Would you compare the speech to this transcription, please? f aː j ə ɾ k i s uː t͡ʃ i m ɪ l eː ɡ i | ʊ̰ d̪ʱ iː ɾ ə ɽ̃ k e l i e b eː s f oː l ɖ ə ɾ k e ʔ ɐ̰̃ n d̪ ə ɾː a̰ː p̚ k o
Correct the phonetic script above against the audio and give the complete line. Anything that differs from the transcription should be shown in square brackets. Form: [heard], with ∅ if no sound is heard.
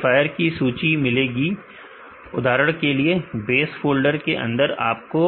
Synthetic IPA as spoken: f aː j ə ɾ k i s uː t͡ʃ i m ɪ l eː ɡ i | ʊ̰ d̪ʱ [aː] ɾ ə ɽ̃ k e l i e b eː s f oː l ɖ ə ɾ k e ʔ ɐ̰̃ n d̪ ə [ɾ] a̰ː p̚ k o